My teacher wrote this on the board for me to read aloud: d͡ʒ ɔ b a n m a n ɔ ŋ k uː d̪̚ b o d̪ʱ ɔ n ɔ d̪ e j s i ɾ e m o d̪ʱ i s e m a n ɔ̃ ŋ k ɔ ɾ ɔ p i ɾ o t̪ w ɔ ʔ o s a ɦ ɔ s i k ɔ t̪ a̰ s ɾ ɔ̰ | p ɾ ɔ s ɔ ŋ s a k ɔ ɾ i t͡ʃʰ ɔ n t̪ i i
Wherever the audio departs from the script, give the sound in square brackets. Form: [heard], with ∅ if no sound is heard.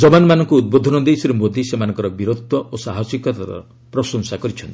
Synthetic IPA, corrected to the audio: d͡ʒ ɔ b a n m a n ɔ ŋ k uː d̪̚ b o d̪ʱ ɔ n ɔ d̪ e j s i ɾ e m o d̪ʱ i s e m a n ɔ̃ ŋ k ɔ ɾ ɔ [b] i ɾ o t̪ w ɔ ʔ o s a ɦ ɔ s i k ɔ t̪ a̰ [∅] ɾ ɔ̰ | p ɾ ɔ s ɔ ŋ s a k ɔ ɾ i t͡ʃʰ ɔ n t̪ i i